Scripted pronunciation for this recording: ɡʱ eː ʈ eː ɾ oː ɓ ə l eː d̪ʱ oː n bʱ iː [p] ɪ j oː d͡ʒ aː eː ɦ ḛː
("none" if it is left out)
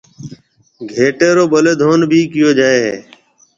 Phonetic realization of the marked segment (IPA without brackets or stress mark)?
k